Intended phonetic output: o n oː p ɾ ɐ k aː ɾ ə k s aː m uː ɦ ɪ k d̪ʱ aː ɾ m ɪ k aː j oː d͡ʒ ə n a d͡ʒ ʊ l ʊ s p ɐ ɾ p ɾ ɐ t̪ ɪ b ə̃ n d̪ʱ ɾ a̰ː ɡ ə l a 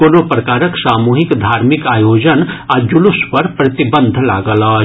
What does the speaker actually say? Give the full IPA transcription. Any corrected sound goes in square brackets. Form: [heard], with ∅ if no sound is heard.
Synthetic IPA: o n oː p ɾ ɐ k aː ɾ ə k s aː m uː ɦ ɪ k d̪ʱ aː ɾ m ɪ k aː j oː d͡ʒ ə n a d͡ʒ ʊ l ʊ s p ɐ ɾ p ɾ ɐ t̪ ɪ b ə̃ n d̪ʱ [l] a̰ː ɡ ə l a